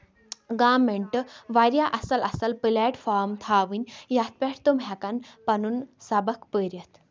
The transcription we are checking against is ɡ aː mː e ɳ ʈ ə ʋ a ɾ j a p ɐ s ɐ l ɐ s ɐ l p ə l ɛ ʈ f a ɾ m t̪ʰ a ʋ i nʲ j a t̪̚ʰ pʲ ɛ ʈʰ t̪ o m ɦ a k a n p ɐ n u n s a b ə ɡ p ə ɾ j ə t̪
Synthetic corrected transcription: ɡ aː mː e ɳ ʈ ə ʋ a ɾ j a ʔ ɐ s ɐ l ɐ s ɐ l p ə l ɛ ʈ f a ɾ m t̪ʰ a ʋ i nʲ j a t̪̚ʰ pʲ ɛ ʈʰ t̪ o m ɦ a k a n p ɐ n u n s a b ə k p ə ɾ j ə t̪